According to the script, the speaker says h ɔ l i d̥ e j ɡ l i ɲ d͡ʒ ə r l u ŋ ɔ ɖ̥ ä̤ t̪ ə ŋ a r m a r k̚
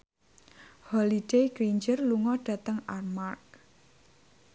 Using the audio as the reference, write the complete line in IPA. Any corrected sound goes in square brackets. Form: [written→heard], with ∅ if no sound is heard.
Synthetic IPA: h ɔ l i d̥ e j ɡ [l→ɾ] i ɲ d͡ʒ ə r l u ŋ ɔ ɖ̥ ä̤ t̪ ə ŋ a r m a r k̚